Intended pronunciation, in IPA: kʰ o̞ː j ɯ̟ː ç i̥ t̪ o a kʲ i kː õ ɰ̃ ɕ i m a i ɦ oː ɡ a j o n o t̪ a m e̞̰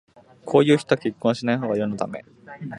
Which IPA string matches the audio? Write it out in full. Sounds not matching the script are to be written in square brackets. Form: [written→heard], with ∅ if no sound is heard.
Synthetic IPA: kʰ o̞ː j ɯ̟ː ç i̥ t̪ o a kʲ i kː õ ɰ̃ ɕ i [m→n] a i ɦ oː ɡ a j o n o t̪ a m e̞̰